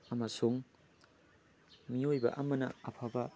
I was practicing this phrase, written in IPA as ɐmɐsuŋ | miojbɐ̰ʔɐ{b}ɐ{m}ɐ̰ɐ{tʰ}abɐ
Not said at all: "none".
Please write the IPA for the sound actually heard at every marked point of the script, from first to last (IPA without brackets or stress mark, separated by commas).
m, n, pʰ